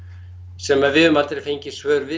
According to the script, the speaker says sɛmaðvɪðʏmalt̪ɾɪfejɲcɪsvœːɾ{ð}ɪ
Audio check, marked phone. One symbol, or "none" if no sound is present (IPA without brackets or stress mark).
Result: v